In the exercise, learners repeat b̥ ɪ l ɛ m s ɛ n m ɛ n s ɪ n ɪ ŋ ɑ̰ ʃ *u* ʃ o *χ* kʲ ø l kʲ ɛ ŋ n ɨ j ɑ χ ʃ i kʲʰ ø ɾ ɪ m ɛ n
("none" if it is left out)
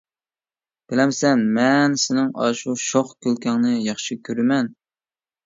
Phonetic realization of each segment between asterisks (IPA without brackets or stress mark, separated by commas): u, χ